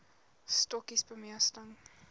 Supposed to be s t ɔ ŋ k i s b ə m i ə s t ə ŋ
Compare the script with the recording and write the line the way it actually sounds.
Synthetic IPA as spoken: s t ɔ k i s b ə m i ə s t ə ŋ